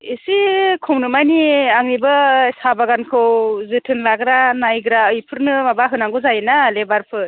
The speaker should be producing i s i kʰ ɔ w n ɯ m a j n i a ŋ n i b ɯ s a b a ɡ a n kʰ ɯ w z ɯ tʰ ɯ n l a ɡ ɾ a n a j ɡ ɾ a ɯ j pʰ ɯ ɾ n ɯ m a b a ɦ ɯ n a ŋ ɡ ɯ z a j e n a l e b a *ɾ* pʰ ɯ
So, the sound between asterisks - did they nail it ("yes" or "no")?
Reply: yes